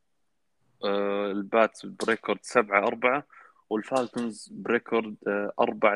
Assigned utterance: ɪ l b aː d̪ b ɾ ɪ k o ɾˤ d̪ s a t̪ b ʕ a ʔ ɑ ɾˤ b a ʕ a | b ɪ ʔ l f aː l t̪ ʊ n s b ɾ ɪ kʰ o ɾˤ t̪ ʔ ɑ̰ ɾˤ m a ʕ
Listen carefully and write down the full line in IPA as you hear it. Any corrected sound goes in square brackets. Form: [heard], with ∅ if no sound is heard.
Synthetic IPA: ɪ l b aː [t̪] b ɾ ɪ k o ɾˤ d̪ s a [∅] b ʕ a ʔ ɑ ɾˤ b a ʕ a | [w] ɪ [∅] l f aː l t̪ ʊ n [z] b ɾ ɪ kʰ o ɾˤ [d̪] ʔ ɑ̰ ɾˤ [b] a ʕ